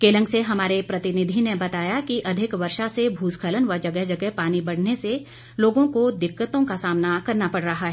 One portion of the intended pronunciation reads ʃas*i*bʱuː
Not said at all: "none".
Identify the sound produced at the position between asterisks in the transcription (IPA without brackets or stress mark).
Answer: e